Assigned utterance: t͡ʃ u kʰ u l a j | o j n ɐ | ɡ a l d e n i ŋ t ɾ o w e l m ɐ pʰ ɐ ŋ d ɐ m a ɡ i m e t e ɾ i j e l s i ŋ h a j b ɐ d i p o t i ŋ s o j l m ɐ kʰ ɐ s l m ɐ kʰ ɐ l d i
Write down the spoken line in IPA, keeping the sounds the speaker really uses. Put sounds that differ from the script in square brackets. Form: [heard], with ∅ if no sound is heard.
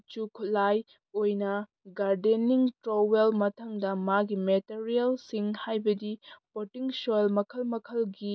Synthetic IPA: t͡ʃ u kʰ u l a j | o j n ɐ | ɡ a [ɾ] d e n i ŋ t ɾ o w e l m ɐ [tʰ] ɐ ŋ d ɐ m a ɡ i m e t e ɾ i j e l s i ŋ h a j b ɐ d i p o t i ŋ s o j l m ɐ kʰ ɐ [∅] l m ɐ kʰ ɐ l [ɡ] i

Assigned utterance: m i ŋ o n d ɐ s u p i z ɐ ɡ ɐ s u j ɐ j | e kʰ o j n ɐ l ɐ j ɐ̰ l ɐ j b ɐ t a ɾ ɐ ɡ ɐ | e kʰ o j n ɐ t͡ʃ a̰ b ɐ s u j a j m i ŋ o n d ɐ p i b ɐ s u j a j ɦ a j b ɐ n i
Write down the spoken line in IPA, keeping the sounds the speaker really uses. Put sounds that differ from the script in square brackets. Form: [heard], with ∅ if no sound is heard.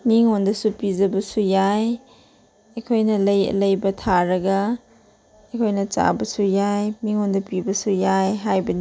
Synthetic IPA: m i ŋ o n d ɐ s u p i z ɐ [b] ɐ s u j [a] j | e kʰ o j n ɐ l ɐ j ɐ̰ l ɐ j b ɐ [tʰ] a ɾ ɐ ɡ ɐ | e kʰ o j n ɐ t͡ʃ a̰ b ɐ s u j a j m i ŋ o n d ɐ p i b ɐ s u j a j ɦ a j b ɐ n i

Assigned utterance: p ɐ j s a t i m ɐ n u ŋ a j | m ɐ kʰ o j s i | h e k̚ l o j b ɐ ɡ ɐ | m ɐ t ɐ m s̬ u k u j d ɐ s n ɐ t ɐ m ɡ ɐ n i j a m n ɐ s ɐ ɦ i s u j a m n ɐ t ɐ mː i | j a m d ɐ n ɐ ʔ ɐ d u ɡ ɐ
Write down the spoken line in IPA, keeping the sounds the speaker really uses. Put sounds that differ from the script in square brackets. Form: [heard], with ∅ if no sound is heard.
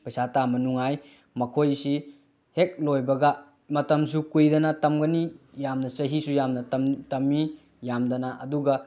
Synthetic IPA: p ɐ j s a t [a] m ɐ n u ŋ a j | m ɐ kʰ o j s i | h e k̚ l o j b ɐ ɡ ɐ | m ɐ t ɐ m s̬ u k u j d ɐ [∅] n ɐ t ɐ m ɡ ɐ n i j a m n ɐ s ɐ ɦ i s u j a m n ɐ t ɐ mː i | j a m d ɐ n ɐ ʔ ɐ d u ɡ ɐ

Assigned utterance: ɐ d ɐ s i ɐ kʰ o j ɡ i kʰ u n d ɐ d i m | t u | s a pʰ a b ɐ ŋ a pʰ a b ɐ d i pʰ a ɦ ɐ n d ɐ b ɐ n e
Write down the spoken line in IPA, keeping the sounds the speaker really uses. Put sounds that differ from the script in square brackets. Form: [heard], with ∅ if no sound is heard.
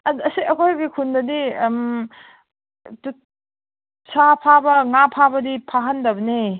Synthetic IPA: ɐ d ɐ s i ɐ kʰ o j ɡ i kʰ u n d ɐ d i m | t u | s a pʰ a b ɐ ŋ a pʰ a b ɐ d i pʰ a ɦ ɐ n d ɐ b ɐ n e

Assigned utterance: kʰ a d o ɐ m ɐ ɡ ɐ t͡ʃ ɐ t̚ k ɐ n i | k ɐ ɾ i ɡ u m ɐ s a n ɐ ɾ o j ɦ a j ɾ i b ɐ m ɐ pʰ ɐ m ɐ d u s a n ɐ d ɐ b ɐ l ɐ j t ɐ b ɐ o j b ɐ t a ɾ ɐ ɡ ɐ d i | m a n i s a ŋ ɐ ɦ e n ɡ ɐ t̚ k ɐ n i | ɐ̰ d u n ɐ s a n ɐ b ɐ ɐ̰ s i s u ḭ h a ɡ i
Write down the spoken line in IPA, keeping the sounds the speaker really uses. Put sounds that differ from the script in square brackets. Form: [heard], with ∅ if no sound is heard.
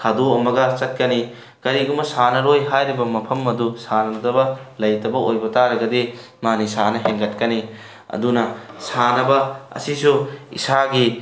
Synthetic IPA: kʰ a d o ɐ m ɐ ɡ ɐ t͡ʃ ɐ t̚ k ɐ n i | k ɐ ɾ i ɡ u m ɐ s a n ɐ ɾ o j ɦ a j ɾ i b ɐ m ɐ pʰ ɐ m ɐ d u s a n ɐ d ɐ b ɐ l ɐ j t ɐ b ɐ o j b ɐ t a ɾ ɐ ɡ ɐ d i | m a n i s a [n] ɐ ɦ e [ŋ] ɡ ɐ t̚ k ɐ n i | ɐ̰ d u n ɐ s a n ɐ b ɐ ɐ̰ s i s u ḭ [s] a ɡ i

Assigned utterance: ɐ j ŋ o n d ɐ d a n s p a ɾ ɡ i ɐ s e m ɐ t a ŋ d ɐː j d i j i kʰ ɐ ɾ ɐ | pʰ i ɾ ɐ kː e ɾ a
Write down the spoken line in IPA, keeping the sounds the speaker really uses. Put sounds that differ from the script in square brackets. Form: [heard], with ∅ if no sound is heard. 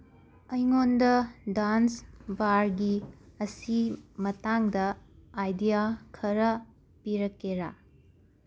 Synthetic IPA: ɐ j ŋ o n d ɐ d a n s [b] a ɾ ɡ i ɐ s [i] m ɐ t a ŋ d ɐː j d i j [a] kʰ ɐ ɾ ɐ | [p] i ɾ ɐ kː e ɾ a

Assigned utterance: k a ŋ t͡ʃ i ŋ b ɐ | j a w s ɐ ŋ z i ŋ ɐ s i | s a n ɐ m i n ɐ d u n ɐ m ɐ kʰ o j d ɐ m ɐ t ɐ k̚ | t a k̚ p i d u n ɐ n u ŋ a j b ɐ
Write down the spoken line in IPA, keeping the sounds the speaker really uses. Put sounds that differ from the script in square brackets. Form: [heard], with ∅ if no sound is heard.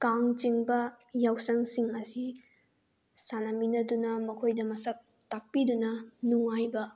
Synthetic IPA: k a ŋ t͡ʃ i ŋ b ɐ | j a w s ɐ ŋ [s] i ŋ ɐ s i | s a n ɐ m i n ɐ d u n ɐ m ɐ kʰ o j d ɐ m ɐ [s] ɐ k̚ | t a k̚ p i d u n ɐ n u ŋ a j b ɐ

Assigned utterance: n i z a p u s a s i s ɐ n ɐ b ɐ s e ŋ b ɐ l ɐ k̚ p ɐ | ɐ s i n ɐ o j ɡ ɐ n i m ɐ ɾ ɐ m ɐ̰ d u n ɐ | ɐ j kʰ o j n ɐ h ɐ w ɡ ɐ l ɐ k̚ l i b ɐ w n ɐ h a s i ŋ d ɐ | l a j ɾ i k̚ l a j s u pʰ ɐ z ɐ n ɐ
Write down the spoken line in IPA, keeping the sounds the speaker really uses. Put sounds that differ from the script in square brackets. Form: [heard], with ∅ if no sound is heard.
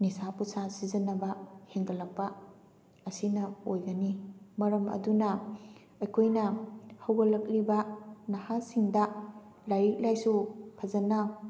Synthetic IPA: n i [s] a p u s a s i [z] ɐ n ɐ b ɐ [h] e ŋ [ɡ] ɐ l ɐ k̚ p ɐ | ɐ s i n ɐ o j ɡ ɐ n i m ɐ ɾ ɐ m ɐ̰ d u n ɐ | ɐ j kʰ o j n ɐ h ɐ w ɡ ɐ l ɐ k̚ l i b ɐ [∅] n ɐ h a s i ŋ d ɐ | l a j ɾ i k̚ l a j s u pʰ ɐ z ɐ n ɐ

